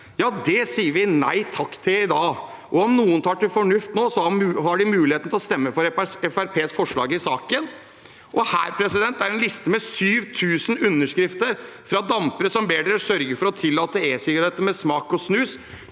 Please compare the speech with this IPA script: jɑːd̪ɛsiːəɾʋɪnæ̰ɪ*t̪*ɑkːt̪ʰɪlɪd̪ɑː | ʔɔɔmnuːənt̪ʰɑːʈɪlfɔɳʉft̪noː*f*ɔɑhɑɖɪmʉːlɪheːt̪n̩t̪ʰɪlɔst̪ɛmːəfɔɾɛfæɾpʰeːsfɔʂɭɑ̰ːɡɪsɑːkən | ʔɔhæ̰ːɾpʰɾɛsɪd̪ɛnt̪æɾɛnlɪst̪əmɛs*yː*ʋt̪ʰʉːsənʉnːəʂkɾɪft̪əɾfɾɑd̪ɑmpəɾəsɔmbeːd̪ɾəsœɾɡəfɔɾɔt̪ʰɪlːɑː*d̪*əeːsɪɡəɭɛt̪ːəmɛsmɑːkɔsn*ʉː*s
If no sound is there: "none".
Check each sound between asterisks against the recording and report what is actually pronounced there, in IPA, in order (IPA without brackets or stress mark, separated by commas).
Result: t̪ʰ, s, yː, t̪, ʉː